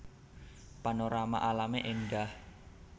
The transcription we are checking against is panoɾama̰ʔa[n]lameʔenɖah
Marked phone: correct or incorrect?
incorrect